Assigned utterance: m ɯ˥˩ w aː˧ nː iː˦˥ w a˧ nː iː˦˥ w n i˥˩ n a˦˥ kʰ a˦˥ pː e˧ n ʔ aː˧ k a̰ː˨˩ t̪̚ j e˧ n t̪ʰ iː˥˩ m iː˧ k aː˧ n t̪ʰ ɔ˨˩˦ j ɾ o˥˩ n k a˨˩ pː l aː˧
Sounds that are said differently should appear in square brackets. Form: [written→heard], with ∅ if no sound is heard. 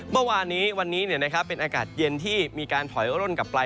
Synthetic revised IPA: m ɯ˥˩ w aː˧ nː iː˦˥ w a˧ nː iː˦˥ [w→∅] n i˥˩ n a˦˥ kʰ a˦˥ pː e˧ n ʔ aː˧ k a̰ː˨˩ t̪̚ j e˧ n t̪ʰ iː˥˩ m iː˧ k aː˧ n t̪ʰ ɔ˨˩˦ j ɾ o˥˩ n k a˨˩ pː l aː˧